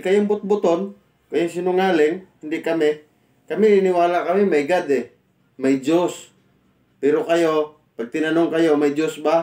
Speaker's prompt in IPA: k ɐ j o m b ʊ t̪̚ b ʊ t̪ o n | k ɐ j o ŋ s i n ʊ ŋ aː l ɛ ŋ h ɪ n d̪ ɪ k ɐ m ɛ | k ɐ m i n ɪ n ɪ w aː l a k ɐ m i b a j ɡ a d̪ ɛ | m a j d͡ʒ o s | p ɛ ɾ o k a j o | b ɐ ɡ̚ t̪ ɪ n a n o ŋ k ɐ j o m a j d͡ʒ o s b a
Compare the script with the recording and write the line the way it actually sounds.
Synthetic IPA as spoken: k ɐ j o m b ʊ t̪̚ b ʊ t̪ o n | k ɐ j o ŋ s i n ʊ ŋ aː l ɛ ŋ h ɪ n d̪ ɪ k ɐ m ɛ | k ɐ m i n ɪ n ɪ w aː l a k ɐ m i m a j ɡ a d̪ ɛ | m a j d͡ʒ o s | p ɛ ɾ o k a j o | p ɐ ɡ̚ t̪ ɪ n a n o ŋ k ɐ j o m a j d͡ʒ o s b a